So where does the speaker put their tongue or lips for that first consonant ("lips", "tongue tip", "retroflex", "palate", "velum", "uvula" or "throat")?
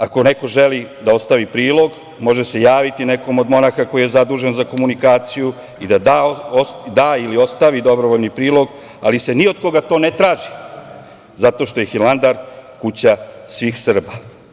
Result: velum